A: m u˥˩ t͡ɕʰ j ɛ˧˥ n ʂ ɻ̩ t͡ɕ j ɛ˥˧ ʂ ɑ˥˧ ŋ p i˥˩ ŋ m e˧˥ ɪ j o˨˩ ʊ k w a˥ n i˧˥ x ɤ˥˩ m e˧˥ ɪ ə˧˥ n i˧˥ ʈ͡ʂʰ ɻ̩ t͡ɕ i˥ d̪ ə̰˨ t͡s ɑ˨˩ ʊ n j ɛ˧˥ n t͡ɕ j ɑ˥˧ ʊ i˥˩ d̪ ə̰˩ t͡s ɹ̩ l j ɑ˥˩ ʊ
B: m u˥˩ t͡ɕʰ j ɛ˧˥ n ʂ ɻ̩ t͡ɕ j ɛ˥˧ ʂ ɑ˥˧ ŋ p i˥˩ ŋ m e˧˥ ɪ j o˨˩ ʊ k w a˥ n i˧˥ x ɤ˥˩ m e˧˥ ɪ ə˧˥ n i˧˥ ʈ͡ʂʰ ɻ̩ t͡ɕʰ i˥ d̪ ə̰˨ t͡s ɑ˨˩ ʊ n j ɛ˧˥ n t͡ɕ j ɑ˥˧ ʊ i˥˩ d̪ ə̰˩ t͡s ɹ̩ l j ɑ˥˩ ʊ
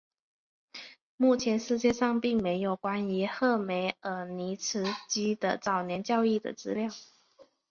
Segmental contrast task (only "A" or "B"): A